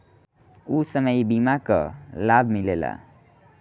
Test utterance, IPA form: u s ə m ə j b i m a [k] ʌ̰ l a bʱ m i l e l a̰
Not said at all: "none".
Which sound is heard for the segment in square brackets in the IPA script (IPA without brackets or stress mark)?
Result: k